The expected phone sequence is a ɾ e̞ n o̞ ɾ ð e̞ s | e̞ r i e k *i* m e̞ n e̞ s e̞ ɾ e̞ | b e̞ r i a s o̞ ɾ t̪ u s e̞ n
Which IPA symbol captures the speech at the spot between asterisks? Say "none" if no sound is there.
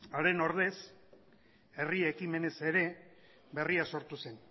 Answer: i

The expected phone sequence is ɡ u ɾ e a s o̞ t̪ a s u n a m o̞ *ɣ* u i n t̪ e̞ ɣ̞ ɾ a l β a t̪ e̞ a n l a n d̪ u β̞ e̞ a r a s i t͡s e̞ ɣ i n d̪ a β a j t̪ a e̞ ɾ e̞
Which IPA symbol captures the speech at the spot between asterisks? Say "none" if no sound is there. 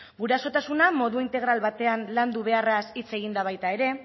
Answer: ð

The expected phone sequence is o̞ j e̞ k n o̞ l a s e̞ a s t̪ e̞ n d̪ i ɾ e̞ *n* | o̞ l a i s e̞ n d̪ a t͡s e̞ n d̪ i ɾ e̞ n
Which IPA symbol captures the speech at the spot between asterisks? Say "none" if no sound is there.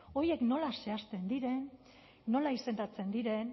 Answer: nː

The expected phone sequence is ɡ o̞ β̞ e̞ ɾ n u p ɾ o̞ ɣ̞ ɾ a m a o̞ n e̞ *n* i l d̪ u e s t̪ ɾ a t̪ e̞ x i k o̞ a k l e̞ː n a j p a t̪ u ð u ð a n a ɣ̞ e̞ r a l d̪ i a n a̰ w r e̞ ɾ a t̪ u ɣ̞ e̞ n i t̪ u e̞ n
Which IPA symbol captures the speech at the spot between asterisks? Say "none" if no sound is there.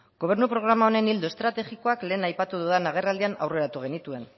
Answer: n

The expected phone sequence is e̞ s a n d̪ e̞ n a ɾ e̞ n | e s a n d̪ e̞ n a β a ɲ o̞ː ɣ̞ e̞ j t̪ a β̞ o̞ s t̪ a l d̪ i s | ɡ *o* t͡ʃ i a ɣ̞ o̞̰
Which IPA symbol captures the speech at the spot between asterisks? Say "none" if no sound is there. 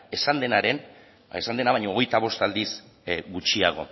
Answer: u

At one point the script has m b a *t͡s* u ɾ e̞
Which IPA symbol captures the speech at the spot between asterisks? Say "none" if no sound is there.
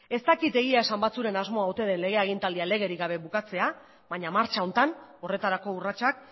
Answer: t͡s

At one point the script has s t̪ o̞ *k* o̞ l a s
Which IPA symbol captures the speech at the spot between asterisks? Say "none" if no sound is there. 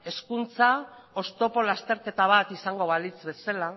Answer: p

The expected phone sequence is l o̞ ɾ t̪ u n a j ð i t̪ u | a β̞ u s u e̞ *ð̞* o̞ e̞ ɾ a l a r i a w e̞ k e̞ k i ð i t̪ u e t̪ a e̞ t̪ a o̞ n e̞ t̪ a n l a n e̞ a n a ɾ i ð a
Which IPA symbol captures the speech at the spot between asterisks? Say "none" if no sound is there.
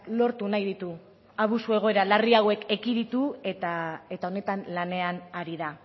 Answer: ɣ̞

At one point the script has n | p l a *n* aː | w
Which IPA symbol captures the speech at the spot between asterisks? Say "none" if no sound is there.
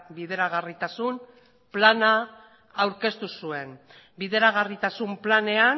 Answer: n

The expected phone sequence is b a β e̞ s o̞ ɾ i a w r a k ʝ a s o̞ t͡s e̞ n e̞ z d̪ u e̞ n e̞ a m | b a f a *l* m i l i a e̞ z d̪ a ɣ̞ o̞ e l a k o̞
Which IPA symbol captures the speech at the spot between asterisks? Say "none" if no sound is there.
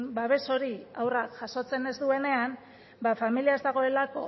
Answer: none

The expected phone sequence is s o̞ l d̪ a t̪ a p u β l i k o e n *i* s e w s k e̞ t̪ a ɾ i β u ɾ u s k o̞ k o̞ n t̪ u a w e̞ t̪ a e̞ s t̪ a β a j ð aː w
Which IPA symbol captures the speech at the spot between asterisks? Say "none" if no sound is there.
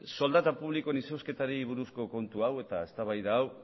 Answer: i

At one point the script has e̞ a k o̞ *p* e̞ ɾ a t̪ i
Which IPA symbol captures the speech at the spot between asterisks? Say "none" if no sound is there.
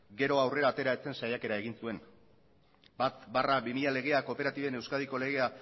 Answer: p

